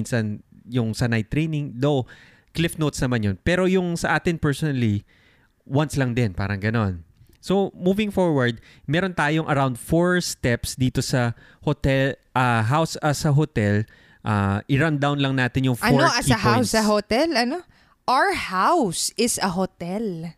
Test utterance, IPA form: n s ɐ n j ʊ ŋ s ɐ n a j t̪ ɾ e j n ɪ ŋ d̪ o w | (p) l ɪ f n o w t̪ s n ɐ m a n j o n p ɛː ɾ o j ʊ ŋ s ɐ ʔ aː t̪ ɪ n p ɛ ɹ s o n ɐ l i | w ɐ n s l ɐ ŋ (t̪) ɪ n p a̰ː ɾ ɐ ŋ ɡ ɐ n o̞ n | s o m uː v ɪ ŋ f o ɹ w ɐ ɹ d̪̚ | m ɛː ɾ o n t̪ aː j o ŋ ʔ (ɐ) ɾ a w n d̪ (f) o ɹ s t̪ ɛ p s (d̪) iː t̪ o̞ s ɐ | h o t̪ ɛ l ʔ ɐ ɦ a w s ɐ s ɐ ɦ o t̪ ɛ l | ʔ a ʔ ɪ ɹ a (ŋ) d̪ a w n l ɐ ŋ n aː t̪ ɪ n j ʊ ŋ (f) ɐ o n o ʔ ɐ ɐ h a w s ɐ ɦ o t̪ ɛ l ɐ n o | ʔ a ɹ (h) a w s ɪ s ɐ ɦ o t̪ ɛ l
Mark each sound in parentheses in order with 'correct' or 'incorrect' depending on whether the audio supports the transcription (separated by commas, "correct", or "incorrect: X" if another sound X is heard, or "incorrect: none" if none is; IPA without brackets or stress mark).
incorrect: k, incorrect: d̪, correct, correct, correct, incorrect: n, correct, correct